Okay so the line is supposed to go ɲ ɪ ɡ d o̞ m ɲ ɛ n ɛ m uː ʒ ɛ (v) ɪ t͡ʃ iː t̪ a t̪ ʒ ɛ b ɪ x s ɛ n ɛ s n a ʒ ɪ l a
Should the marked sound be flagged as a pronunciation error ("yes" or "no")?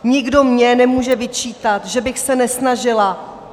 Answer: no